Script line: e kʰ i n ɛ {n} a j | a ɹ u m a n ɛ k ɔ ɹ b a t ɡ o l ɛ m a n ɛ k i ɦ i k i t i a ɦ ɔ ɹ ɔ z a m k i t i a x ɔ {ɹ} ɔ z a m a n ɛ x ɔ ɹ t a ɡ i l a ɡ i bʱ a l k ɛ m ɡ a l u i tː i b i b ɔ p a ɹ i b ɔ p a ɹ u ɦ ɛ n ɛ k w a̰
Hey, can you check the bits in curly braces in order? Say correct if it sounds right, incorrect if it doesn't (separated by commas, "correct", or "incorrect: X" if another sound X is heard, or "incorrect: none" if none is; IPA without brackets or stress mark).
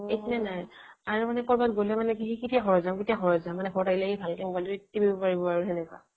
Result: correct, correct